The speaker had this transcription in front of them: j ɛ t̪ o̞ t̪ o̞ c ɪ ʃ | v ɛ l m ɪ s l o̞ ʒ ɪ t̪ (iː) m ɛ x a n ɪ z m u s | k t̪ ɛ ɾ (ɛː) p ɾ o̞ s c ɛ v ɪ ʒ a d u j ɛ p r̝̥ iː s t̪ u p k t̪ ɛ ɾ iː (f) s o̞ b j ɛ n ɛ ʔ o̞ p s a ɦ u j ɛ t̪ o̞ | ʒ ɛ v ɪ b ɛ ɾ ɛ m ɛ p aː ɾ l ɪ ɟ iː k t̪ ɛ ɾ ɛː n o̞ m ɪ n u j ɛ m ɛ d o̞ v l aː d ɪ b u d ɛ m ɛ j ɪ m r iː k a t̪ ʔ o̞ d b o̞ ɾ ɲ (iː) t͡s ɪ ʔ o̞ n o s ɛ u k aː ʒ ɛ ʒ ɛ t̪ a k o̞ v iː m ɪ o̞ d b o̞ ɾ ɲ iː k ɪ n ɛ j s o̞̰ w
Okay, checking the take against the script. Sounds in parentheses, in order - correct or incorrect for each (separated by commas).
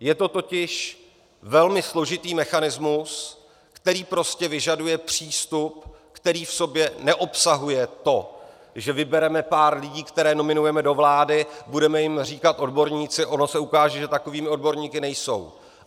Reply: correct, incorrect, correct, correct